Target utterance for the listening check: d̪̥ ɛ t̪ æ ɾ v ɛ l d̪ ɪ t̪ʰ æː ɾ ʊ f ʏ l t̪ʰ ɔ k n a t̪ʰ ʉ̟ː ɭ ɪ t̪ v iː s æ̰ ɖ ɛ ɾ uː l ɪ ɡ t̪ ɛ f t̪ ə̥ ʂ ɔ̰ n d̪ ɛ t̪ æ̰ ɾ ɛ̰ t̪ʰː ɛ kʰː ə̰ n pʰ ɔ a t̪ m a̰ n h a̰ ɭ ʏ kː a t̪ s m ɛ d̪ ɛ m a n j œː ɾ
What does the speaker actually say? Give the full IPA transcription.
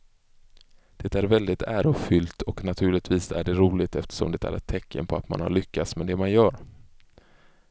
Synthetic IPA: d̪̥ ɛ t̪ æ ɾ v ɛ l d̪ ɪ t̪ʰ æː ɾ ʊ f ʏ l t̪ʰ ɔ k n a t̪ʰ ʉ̟ː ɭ ɪ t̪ v iː s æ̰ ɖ ɛ ɾ uː l ɪ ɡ t̪ ɛ f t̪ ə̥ ʂ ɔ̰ m d̪ ɛ t̪ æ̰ ɾ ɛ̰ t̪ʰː ɛ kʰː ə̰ n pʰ ɔ a t̪ m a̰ n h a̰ ɭ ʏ kː a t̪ s m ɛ d̪ ɛ m a n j œː ɾ